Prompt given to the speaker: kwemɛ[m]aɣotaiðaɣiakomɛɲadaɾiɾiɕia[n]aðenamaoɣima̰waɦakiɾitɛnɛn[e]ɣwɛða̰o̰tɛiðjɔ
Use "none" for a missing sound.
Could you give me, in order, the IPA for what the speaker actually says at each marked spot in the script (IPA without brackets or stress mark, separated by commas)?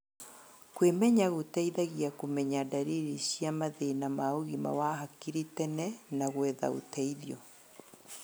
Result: ɲ, m, a